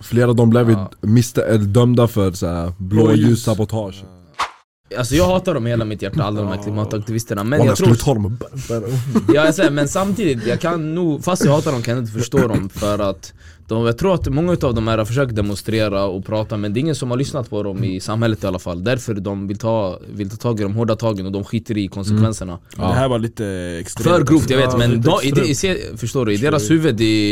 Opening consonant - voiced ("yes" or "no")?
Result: no